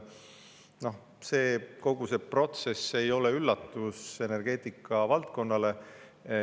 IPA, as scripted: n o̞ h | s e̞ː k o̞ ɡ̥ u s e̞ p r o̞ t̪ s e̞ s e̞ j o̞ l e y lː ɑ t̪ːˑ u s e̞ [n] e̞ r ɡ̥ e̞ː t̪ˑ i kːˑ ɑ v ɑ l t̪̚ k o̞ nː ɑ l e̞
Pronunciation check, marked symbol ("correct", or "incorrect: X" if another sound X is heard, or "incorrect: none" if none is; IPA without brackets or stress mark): correct